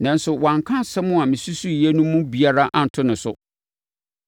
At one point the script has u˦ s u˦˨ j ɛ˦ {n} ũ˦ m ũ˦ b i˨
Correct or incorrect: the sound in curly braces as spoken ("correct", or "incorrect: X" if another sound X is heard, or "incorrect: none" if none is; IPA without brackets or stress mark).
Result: correct